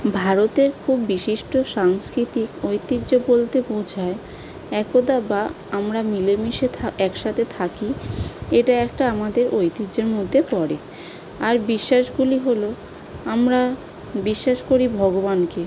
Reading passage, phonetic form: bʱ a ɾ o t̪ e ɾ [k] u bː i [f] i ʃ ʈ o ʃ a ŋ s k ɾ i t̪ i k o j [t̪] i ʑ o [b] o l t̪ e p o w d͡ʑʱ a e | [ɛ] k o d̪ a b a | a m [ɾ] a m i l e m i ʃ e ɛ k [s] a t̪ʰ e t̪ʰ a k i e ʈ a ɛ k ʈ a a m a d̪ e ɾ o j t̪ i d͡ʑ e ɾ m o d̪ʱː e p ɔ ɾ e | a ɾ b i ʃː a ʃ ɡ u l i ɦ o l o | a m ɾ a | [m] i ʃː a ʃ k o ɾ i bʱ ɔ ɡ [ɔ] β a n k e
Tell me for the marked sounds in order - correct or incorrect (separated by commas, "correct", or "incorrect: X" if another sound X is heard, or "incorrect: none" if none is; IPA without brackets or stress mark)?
incorrect: kʰ, incorrect: ʃ, correct, correct, correct, correct, incorrect: ʃ, incorrect: b, incorrect: o